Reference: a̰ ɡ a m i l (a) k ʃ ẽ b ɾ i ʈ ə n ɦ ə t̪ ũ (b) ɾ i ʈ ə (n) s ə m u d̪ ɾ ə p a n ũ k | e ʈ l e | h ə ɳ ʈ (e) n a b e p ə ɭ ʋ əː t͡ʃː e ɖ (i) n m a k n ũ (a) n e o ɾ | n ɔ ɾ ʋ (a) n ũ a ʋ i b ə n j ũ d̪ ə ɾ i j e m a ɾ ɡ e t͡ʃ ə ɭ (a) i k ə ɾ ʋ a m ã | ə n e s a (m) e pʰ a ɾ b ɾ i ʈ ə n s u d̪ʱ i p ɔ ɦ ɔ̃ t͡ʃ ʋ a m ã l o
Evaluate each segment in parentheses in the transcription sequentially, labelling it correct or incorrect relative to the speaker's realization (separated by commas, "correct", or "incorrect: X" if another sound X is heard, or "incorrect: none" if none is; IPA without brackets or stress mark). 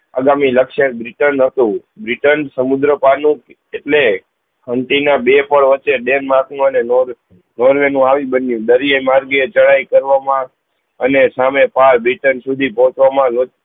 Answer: incorrect: ə, correct, correct, incorrect: i, incorrect: e, incorrect: ə, incorrect: e, correct, correct